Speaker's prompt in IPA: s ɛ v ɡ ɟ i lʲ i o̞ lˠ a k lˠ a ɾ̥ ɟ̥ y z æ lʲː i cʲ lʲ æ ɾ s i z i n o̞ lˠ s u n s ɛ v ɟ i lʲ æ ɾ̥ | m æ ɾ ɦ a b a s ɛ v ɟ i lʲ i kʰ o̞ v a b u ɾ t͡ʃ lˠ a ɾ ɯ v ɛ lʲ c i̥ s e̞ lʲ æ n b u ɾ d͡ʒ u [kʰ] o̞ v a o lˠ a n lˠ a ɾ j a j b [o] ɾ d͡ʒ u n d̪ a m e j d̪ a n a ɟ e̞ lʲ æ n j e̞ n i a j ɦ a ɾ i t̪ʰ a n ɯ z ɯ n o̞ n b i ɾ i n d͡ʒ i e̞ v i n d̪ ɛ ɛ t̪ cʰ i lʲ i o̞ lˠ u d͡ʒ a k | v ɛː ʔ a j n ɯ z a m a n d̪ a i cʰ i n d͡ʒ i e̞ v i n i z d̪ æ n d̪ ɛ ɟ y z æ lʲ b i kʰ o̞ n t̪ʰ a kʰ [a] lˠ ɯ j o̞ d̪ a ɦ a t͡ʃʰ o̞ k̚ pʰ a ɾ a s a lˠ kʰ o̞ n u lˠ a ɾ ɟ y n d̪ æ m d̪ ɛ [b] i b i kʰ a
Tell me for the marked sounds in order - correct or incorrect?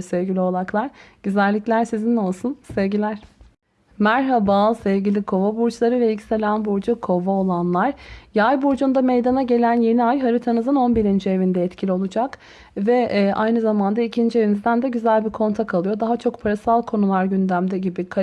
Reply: correct, incorrect, correct, incorrect

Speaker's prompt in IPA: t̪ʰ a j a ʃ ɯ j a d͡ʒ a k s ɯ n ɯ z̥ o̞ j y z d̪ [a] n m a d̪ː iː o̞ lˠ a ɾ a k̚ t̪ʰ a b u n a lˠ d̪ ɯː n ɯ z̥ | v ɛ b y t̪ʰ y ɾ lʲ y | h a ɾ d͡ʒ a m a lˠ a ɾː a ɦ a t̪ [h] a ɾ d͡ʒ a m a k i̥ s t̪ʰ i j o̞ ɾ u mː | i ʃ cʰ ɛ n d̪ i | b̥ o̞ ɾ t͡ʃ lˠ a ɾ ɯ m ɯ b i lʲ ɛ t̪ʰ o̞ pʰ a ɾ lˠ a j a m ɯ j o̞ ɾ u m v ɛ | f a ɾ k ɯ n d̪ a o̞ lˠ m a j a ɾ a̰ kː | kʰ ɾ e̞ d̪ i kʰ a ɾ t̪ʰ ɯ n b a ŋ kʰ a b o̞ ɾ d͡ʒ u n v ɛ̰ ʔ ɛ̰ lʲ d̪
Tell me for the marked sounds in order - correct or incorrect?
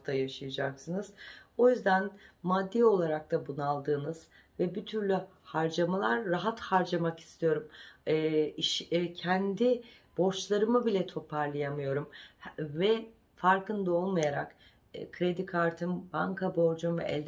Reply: incorrect, correct

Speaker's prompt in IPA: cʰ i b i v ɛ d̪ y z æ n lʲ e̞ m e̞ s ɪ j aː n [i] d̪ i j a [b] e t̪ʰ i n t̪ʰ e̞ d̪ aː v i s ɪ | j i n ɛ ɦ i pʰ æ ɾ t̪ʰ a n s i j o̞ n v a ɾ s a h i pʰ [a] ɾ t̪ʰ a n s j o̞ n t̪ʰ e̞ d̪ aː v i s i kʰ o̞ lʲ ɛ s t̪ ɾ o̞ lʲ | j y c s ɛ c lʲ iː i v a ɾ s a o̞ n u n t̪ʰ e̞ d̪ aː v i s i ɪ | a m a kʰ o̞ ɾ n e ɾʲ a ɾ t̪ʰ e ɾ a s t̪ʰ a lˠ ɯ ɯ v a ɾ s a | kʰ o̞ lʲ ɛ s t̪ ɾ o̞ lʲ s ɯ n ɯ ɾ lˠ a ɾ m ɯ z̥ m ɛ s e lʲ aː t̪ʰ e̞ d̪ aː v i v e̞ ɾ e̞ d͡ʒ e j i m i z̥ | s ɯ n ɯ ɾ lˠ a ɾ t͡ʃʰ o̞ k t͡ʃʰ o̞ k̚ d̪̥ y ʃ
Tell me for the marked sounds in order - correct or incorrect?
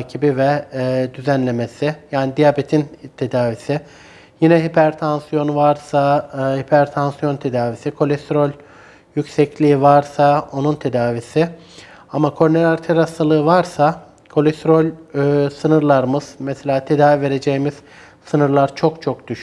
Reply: correct, correct, incorrect

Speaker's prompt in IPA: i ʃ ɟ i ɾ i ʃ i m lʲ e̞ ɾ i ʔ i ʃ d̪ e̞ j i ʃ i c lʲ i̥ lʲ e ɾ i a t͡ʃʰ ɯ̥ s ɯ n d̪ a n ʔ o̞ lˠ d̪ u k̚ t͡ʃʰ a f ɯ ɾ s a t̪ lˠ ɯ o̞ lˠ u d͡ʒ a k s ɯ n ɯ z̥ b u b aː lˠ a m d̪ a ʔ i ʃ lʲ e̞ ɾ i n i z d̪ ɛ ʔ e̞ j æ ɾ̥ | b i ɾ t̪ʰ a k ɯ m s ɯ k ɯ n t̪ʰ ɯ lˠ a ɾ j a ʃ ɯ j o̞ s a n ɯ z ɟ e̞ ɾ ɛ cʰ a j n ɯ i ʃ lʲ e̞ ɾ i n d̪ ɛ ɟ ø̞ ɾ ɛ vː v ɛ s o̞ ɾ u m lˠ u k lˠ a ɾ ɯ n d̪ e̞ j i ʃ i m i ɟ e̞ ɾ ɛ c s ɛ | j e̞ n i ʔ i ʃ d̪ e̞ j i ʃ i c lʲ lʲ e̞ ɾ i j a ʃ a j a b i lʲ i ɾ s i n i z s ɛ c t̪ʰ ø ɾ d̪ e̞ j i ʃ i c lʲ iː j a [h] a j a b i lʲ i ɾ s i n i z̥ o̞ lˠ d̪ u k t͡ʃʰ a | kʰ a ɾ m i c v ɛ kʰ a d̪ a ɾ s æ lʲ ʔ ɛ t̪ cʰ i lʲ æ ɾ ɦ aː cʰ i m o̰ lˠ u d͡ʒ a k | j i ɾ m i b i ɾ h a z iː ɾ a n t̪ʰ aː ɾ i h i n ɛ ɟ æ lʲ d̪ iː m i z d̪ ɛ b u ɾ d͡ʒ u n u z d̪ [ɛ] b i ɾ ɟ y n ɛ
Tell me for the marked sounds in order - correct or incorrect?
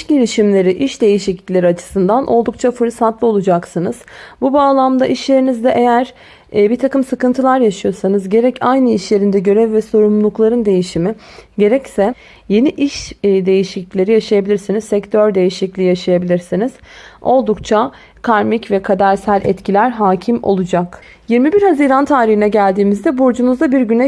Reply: incorrect, incorrect

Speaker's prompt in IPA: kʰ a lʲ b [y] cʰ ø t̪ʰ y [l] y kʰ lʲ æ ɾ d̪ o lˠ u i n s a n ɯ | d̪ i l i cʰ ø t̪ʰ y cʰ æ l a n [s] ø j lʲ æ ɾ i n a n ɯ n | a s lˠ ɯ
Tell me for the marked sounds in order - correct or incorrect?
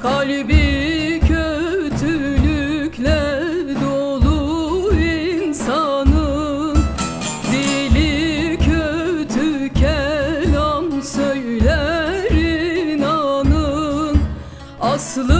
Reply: incorrect, correct, correct

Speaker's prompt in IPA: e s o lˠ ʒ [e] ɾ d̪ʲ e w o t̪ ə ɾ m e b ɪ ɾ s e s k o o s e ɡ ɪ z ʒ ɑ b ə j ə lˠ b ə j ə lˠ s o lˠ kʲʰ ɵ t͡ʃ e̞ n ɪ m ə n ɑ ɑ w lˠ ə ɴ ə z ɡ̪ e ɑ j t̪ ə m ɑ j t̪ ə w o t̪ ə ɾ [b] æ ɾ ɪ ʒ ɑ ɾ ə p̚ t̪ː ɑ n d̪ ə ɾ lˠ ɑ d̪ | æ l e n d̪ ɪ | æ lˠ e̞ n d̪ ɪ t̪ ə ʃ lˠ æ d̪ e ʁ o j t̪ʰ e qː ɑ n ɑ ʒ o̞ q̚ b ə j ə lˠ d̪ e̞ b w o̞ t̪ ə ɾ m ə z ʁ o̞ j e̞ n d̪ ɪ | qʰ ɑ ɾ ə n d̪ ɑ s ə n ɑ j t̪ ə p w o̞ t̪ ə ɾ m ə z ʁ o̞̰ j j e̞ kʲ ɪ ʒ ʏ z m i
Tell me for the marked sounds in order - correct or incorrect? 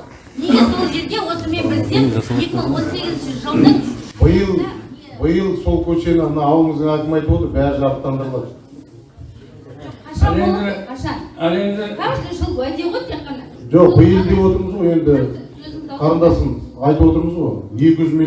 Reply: correct, correct

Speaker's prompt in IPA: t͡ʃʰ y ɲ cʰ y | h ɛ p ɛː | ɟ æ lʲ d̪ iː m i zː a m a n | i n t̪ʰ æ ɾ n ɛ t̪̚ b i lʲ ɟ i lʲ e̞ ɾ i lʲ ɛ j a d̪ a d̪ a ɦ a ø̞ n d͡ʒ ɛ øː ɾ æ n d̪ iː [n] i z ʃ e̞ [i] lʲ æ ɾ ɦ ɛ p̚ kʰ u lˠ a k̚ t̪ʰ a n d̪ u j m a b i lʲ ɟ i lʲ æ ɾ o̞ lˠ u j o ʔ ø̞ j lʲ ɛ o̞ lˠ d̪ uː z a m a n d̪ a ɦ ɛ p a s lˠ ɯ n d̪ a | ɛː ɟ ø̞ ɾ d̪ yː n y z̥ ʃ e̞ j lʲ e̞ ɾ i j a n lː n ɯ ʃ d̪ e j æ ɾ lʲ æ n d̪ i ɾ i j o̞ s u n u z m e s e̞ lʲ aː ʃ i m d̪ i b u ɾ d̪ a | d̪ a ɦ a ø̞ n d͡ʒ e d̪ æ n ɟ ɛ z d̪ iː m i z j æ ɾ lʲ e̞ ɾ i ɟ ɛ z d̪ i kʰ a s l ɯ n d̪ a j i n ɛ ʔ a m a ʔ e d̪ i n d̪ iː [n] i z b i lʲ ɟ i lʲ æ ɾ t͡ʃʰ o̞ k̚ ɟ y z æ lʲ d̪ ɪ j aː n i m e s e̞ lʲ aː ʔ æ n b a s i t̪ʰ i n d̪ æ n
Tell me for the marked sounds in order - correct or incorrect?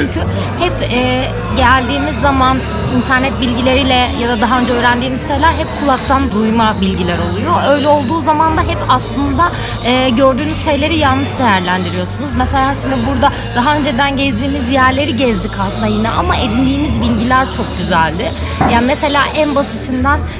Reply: incorrect, incorrect, incorrect

